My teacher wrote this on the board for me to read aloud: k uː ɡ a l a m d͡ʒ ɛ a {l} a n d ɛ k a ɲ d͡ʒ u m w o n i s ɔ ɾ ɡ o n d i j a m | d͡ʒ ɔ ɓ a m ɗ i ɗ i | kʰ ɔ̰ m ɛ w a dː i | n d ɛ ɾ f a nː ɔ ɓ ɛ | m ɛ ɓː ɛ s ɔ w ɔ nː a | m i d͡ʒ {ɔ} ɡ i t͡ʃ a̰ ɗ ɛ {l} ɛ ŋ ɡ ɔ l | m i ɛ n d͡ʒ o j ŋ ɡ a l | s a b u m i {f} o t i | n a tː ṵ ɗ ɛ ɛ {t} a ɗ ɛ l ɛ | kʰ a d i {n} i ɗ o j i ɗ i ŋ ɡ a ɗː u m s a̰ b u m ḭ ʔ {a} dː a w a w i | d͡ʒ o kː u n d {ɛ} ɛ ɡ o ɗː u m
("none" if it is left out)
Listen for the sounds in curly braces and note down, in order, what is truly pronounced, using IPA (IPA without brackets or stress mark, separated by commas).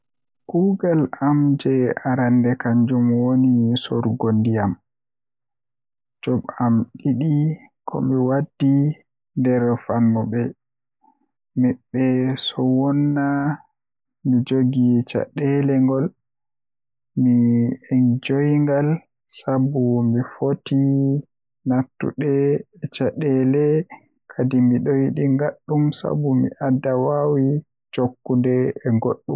ɾ, o, l, f, t͡ʃ, m, a, ɛ